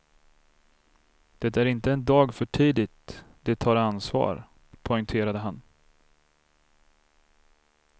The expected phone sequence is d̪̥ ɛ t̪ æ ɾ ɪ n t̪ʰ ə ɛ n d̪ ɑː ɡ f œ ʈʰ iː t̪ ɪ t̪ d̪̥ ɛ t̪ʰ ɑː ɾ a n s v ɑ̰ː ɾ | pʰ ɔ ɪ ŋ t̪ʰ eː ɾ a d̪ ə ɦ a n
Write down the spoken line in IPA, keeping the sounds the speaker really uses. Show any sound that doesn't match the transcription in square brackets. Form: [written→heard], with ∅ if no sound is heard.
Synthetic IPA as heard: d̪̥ ɛ t̪ æ ɾ ɪ n [t̪ʰ→t̪] ə ɛ n d̪ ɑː ɡ f œ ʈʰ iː [t̪→d̪] ɪ t̪ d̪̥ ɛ t̪ʰ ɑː ɾ a n s v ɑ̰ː ɾ | pʰ ɔ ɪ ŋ t̪ʰ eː ɾ a d̪ ə ɦ a n